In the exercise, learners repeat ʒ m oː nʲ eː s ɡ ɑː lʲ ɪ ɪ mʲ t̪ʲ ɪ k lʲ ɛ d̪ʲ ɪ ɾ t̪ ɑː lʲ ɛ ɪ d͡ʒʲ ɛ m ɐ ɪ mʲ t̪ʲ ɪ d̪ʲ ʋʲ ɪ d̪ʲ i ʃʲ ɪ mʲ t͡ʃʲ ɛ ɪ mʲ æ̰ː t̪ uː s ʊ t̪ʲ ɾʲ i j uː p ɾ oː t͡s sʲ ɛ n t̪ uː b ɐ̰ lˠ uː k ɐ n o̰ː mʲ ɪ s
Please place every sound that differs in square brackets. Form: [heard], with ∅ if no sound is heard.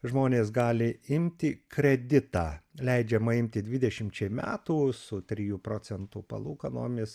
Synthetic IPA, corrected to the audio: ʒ m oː nʲ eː s ɡ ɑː lʲ ɪ ɪ mʲ t̪ʲ ɪ k [ɾʲ] ɛ d̪ʲ ɪ [∅] t̪ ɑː lʲ ɛ ɪ d͡ʒʲ ɛ m ɐ ɪ mʲ t̪ʲ ɪ d̪ʲ ʋʲ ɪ d̪ʲ [ɛ] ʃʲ ɪ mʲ t͡ʃʲ ɛ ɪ mʲ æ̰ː t̪ uː s ʊ t̪ʲ ɾʲ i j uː p ɾ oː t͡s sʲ ɛ n t̪ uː [p] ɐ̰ lˠ uː k ɐ n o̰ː mʲ ɪ s